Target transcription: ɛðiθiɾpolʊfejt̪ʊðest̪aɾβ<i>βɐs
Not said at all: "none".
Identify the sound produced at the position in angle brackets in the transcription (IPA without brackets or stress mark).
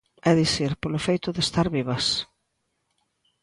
i